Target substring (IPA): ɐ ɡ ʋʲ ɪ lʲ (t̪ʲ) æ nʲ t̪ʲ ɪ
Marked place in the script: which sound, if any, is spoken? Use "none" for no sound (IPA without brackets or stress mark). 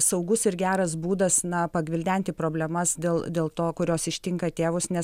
d̪ʲ